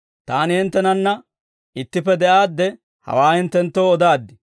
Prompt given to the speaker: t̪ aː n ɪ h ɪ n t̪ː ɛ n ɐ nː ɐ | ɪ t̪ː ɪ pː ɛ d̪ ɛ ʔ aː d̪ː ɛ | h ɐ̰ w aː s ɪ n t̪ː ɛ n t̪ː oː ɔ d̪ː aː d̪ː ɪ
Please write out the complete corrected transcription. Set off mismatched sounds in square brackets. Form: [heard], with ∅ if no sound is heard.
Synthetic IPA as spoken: t̪ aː n ɪ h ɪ n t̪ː ɛ n ɐ nː ɐ | ɪ t̪ː ɪ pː ɛ d̪ ɛ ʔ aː d̪ː ɛ | h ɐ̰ w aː [h] ɪ n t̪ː ɛ n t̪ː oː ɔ [d̪] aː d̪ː ɪ

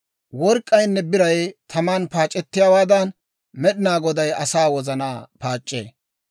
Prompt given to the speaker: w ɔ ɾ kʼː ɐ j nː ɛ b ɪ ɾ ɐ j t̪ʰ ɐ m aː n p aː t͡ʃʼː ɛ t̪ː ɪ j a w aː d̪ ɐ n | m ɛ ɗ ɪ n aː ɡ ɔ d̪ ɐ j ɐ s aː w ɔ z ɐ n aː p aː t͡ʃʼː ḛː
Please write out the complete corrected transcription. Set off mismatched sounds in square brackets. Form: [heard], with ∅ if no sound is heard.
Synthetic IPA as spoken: w ɔ ɾ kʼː ɐ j nː ɛ b ɪ ɾ ɐ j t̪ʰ ɐ m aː n p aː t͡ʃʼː ɛ t̪ː ɪ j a w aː d̪ ɐ n | m ɛ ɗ ɪ n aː ɡ ɔ d̪ ɐ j ɐ s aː w ɔ z ɐ n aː p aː t͡ʃʼː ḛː

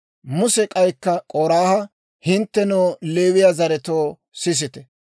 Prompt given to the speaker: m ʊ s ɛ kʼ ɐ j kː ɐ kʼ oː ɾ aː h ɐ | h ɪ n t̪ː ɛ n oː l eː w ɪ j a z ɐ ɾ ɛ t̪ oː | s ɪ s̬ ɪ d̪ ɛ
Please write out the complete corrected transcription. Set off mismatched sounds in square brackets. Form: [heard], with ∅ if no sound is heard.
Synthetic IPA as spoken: m ʊ s ɛ kʼ ɐ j kː ɐ kʼ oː ɾ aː h ɐ | h ɪ n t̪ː ɛ n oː l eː w ɪ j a z ɐ ɾ ɛ t̪ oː | s ɪ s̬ ɪ [t̪] ɛ

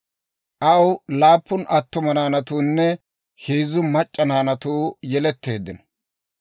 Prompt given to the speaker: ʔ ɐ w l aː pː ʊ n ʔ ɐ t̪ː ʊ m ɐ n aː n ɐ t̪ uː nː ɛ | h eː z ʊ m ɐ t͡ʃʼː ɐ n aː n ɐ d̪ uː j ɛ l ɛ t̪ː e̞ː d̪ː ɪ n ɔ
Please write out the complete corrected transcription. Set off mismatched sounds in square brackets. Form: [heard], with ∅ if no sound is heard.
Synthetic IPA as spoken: ʔ ɐ w l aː pː ʊ n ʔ ɐ t̪ː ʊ m ɐ n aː n ɐ t̪ uː nː ɛ | h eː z ʊ m ɐ t͡ʃʼː ɐ n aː n ɐ [t̪] uː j ɛ l ɛ t̪ː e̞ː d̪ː ɪ n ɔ

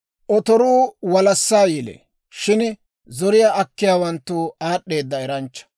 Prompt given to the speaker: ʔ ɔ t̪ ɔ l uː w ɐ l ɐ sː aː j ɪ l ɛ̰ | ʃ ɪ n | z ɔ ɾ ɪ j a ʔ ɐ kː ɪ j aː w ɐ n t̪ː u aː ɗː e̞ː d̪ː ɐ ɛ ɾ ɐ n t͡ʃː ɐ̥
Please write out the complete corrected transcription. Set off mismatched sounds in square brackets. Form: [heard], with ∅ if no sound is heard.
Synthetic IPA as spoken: ʔ ɔ t̪ ɔ [ɾ] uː w ɐ l ɐ sː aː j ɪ l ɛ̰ | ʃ ɪ n | z ɔ ɾ ɪ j a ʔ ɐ kː ɪ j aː w ɐ n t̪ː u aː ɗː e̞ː d̪ː ɐ ɛ ɾ ɐ n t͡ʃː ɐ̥

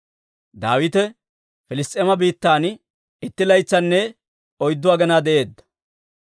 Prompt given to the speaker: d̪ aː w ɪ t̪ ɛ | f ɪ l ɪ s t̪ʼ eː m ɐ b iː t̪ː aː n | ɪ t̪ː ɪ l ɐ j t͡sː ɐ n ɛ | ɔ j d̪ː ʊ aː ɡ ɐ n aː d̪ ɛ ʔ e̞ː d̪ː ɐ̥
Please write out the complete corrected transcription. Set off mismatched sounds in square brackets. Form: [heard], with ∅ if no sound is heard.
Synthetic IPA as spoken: d̪ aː w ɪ t̪ ɛ | f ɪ l ɪ s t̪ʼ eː m ɐ b iː t̪ː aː n | ɪ t̪ː ɪ l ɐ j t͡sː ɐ [nː] ɛ | ɔ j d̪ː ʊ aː ɡ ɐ n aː d̪ ɛ ʔ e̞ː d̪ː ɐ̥

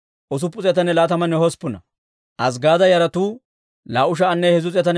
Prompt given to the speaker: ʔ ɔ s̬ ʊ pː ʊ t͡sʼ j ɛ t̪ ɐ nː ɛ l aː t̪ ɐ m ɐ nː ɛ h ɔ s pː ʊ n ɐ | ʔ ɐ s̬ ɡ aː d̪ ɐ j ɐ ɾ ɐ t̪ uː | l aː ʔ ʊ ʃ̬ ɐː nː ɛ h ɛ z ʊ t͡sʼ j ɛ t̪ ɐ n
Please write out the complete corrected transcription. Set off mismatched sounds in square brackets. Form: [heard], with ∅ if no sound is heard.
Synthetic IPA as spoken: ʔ ɔ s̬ ʊ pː ʊ t͡sʼ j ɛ t̪ ɐ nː ɛ l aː t̪ ɐ m ɐ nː ɛ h ɔ s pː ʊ n ɐ | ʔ ɐ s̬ ɡ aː d̪ ɐ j ɐ ɾ ɐ t̪ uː | l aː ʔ ʊ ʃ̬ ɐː nː ɛ h ɛ z ʊ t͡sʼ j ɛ t̪ ɐ n

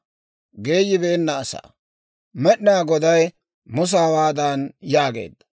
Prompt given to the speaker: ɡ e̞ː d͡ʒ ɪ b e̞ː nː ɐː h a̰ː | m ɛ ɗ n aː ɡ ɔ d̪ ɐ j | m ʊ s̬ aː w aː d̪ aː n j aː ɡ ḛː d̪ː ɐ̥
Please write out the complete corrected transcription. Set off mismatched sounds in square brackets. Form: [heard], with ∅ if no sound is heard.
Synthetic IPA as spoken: ɡ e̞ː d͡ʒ ɪ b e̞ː nː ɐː [s] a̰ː | m ɛ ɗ n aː ɡ ɔ d̪ ɐ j | m ʊ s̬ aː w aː d̪ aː n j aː ɡ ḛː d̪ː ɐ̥

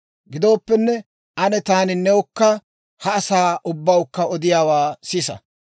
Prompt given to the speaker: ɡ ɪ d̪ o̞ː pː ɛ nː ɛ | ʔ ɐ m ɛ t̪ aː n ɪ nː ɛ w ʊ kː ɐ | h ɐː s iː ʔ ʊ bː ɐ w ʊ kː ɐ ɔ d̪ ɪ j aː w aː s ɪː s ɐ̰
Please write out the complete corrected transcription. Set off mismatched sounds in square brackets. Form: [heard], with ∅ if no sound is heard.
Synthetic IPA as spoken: ɡ ɪ d̪ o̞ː pː ɛ nː ɛ | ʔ ɐ [n] ɛ t̪ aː n ɪ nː ɛ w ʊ kː ɐ | h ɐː s [aː] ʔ ʊ bː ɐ w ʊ kː ɐ ɔ d̪ ɪ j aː w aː s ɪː s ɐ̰

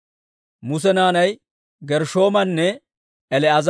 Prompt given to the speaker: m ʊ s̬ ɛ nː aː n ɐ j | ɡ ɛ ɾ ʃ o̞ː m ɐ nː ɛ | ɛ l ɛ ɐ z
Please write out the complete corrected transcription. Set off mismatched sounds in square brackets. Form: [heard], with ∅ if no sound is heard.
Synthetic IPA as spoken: m ʊ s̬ ɛ [n] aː n ɐ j | ɡ ɛ ɾ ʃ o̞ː m ɐ nː ɛ | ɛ l ɛ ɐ z

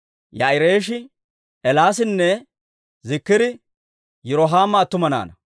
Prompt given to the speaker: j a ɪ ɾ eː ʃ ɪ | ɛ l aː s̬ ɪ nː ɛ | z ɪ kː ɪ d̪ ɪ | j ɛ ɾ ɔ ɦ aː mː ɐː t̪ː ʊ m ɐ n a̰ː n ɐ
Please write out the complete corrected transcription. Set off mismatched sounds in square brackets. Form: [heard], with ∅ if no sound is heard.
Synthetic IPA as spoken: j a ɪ ɾ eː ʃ ɪ | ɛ l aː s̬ ɪ nː ɛ | z ɪ kː ɪ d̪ ɪ | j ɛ ɾ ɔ ɦ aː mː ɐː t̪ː ʊ m ɐ n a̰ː n ɐ

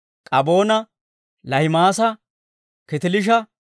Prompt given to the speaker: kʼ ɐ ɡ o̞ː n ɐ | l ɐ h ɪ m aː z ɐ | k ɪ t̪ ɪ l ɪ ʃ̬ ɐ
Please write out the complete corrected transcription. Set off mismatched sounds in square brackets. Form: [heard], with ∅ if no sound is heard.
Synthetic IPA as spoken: kʼ ɐ [b] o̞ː n ɐ | l ɐ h ɪ m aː [s] ɐ | k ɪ t̪ ɪ l ɪ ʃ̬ ɐ

